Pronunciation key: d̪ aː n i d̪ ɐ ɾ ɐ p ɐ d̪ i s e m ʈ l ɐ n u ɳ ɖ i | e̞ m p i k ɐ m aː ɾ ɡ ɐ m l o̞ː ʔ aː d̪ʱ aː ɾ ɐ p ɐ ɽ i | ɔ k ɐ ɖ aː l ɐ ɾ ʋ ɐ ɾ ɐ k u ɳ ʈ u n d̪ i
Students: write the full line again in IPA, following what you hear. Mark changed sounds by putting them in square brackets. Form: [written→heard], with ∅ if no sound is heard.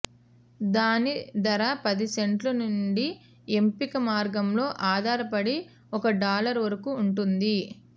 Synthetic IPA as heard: d̪ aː n i d̪ ɐ ɾ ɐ p ɐ d̪ i s e [m→ɳ] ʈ l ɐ n u ɳ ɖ i | e̞ m p i k ɐ m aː ɾ ɡ ɐ m l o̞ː ʔ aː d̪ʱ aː ɾ ɐ p ɐ ɽ i | ɔ k ɐ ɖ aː l ɐ ɾ ʋ ɐ ɾ ɐ k [u→uː] ɳ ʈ u n d̪ i